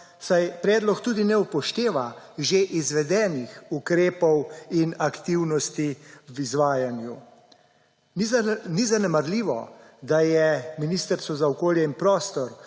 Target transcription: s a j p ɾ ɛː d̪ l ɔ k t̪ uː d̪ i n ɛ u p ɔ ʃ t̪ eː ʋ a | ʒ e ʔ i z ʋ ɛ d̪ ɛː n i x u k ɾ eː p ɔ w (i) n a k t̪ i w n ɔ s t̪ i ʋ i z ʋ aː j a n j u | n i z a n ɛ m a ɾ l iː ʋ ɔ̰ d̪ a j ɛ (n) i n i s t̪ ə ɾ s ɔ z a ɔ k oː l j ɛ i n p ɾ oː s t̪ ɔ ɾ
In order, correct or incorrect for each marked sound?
correct, incorrect: m

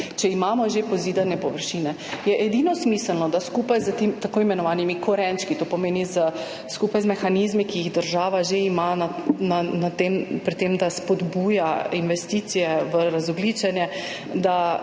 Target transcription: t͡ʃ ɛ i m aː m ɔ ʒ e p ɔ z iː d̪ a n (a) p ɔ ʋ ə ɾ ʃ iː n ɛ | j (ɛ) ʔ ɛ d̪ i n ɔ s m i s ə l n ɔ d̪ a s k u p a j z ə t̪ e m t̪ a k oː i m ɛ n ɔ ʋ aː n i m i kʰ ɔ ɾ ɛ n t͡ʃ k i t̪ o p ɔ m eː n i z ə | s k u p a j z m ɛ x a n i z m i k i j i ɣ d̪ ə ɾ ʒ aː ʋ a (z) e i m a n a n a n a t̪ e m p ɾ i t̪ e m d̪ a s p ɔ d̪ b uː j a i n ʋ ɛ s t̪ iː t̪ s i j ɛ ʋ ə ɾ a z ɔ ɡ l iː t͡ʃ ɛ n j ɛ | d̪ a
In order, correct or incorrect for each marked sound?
incorrect: ɛ, correct, incorrect: ʒ

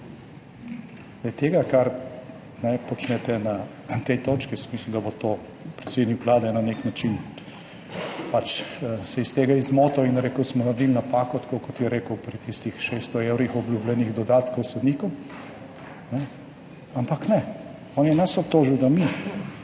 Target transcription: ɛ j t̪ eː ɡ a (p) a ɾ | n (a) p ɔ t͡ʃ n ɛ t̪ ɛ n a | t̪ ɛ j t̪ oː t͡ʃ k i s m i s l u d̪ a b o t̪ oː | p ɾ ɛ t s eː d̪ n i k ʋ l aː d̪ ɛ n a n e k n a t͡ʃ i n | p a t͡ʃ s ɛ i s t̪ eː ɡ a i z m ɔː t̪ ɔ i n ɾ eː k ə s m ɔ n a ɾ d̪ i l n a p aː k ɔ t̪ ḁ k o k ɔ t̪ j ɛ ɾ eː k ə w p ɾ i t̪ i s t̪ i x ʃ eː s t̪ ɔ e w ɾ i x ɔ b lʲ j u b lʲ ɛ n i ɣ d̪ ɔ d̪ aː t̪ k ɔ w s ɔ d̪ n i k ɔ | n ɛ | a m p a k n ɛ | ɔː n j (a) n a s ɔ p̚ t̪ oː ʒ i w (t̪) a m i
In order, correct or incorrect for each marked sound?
incorrect: k, incorrect: ɛ, incorrect: ɛ, incorrect: d̪

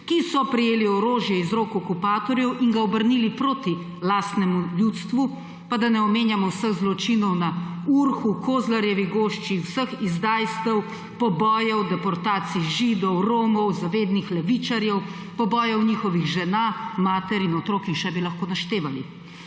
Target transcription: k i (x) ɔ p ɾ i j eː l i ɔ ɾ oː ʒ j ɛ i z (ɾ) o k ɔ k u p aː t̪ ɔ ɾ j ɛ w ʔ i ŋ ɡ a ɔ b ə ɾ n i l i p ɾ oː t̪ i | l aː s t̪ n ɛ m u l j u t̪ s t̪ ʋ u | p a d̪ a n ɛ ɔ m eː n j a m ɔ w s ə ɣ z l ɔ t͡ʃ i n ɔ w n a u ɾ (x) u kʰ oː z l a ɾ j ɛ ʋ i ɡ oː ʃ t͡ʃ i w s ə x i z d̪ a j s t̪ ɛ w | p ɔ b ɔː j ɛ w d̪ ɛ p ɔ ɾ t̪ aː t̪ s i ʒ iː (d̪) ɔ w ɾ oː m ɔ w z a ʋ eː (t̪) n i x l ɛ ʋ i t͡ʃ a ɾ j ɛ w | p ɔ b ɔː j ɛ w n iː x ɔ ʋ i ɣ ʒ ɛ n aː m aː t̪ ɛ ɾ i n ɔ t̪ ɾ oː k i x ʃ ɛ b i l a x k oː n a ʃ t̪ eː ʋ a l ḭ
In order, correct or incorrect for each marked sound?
incorrect: s, correct, correct, correct, incorrect: d̪

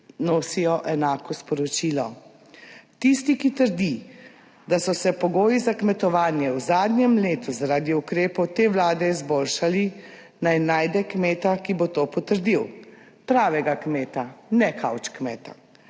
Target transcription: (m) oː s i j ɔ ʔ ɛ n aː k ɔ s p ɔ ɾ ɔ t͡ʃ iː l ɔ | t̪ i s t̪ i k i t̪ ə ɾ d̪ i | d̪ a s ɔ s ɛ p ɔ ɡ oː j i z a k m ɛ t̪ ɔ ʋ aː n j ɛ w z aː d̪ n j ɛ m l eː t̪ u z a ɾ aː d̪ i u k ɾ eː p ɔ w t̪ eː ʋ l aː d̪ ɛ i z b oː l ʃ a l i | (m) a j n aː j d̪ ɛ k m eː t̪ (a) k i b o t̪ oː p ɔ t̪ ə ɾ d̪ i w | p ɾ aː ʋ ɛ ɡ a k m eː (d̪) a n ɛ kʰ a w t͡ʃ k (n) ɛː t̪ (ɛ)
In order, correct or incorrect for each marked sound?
incorrect: n, incorrect: n, correct, incorrect: t̪, incorrect: m, incorrect: a

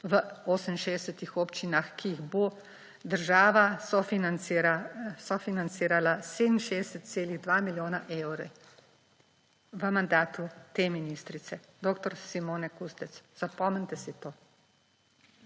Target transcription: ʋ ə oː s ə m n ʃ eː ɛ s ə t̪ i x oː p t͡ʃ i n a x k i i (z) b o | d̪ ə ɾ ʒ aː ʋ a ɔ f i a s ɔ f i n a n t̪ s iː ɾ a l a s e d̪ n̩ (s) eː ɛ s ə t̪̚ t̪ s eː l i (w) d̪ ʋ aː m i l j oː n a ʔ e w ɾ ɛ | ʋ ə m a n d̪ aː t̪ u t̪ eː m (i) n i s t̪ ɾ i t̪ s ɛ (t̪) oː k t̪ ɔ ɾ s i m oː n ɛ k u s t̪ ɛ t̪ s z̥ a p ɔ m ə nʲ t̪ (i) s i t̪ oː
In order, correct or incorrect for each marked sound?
incorrect: ɣ, incorrect: ʃ, incorrect: ɣ, correct, incorrect: d̪, incorrect: ɛ

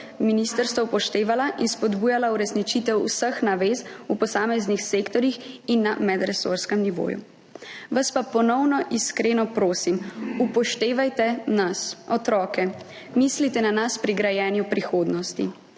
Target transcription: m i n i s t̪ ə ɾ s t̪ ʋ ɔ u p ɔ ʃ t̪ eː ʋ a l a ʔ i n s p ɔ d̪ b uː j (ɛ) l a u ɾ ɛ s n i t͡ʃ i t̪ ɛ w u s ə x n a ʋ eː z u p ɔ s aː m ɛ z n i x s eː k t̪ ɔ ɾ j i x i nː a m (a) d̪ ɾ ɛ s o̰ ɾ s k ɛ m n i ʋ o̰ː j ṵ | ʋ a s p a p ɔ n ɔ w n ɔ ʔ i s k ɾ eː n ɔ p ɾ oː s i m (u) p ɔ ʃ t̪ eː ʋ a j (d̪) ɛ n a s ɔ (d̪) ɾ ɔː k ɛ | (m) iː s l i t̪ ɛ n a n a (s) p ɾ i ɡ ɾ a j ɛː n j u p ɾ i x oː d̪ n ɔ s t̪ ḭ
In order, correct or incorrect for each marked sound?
incorrect: a, incorrect: ɛ, correct, incorrect: t̪, incorrect: t̪, correct, correct

